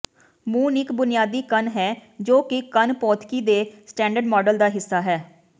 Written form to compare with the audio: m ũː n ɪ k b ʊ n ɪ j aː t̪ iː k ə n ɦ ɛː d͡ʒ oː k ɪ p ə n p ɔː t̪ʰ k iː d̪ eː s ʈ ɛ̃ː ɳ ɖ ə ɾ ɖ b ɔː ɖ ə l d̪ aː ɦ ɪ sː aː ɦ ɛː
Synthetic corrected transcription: m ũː n ɪ k b ʊ n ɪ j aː d̪ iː k ə n ɦ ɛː d͡ʒ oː k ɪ k ə n p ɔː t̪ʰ k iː d̪ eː s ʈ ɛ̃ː ɳ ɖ ə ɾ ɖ m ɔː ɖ ə l d̪ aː ɦ ɪ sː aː ɦ ɛː